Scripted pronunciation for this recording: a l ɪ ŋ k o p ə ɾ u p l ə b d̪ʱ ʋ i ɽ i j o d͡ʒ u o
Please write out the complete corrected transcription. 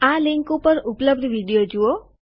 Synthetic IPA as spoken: a l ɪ ŋ k u p ə ɾ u p l ə b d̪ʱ ʋ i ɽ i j o d͡ʒ u o